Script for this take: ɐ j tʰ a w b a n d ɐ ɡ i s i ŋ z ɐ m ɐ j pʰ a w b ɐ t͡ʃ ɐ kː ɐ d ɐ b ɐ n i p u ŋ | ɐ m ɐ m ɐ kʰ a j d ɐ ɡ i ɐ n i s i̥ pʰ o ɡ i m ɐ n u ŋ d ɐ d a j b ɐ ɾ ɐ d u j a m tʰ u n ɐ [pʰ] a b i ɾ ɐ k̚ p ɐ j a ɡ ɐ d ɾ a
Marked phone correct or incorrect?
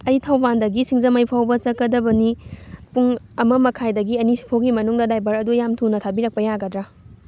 incorrect: tʰ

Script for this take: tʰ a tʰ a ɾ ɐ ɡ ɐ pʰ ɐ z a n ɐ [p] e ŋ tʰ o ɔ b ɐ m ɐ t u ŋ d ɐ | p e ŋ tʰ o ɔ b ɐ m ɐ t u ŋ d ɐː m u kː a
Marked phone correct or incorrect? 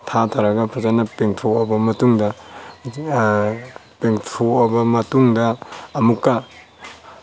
correct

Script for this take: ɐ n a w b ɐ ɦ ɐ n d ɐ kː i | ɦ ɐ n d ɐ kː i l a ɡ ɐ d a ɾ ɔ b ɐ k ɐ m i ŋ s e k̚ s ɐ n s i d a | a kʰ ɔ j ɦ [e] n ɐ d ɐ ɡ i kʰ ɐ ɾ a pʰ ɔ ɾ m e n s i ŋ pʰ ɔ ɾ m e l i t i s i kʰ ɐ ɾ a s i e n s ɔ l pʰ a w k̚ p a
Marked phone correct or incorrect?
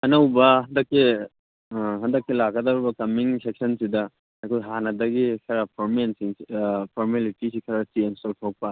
incorrect: a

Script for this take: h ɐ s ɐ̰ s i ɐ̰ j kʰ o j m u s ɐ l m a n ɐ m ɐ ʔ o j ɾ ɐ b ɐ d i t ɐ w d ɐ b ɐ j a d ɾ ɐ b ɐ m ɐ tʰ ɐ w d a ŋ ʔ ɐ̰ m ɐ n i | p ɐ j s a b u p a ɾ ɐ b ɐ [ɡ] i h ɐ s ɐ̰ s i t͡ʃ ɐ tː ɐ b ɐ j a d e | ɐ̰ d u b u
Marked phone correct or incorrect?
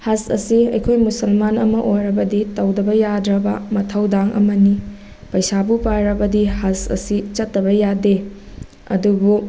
incorrect: d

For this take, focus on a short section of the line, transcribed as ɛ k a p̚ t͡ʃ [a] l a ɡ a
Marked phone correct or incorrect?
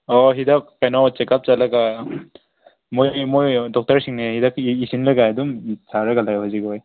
correct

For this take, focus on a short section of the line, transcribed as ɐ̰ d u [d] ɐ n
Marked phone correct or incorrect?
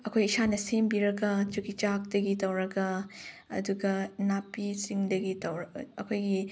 incorrect: ɡ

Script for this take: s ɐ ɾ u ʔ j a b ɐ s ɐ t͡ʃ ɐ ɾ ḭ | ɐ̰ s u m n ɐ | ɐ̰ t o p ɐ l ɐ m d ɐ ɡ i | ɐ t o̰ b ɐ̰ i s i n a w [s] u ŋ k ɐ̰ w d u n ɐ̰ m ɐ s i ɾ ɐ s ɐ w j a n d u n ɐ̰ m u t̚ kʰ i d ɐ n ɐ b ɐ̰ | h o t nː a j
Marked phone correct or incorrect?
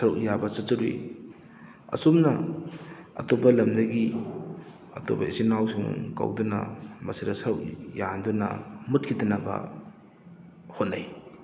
correct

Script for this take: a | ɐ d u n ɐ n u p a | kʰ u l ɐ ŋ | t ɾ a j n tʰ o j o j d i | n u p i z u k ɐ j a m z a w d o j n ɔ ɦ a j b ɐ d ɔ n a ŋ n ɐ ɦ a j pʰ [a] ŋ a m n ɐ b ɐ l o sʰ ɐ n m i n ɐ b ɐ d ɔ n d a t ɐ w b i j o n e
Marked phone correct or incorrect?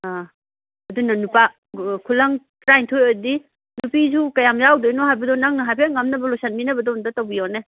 incorrect: e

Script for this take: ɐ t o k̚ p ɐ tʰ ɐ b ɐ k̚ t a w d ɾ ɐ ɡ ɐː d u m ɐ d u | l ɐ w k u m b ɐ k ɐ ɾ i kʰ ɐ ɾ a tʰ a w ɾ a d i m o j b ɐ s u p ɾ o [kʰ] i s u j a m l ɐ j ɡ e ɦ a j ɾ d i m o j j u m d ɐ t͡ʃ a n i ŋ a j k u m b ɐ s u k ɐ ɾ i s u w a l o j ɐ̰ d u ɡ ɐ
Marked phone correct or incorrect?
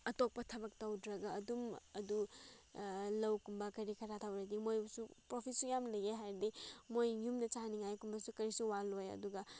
incorrect: pʰ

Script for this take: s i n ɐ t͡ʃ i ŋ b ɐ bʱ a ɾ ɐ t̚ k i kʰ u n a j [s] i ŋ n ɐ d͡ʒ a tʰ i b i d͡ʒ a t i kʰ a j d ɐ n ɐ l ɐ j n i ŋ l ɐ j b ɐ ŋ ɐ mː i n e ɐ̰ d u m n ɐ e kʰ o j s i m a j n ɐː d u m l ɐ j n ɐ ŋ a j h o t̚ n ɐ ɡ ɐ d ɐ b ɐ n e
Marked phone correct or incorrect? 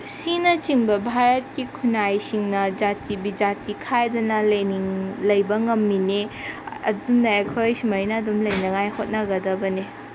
correct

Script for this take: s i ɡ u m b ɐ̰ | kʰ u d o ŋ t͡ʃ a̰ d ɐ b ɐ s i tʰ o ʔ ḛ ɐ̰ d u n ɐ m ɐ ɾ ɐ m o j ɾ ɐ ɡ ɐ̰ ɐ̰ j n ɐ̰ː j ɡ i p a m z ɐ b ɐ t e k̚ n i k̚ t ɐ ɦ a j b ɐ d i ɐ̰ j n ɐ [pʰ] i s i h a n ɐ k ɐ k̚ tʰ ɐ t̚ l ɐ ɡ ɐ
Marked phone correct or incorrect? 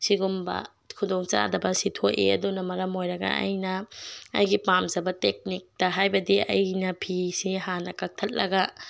correct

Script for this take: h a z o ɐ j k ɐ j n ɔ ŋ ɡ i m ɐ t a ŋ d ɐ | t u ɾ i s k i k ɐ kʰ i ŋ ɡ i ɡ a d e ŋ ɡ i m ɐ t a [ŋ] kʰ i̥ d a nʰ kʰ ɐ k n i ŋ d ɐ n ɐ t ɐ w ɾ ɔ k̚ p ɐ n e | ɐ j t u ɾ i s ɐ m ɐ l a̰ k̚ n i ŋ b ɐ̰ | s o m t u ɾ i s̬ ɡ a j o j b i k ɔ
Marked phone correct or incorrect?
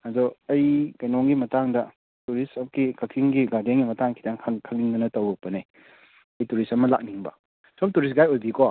correct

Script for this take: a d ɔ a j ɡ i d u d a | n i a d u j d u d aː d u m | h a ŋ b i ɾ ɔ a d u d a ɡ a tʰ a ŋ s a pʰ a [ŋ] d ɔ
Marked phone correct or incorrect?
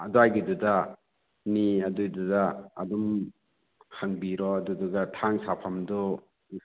incorrect: m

